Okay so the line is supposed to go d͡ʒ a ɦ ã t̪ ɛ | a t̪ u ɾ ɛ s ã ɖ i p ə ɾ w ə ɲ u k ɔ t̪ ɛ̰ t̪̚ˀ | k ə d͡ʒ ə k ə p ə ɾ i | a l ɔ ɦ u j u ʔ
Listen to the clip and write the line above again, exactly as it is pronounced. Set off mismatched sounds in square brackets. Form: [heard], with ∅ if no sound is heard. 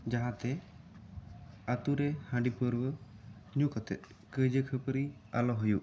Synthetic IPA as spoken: d͡ʒ a ɦ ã t̪ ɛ | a t̪ u ɾ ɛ [h] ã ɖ i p ə ɾ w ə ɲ u k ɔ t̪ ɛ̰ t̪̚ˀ | k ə d͡ʒ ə [kʰ] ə p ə ɾ i | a l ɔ ɦ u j u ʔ